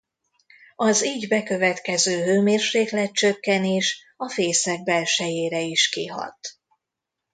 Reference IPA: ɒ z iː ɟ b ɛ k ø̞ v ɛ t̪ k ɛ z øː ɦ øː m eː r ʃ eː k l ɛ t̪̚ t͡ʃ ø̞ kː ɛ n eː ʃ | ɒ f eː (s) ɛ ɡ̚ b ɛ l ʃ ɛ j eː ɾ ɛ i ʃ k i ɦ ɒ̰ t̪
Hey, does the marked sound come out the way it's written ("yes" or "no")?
yes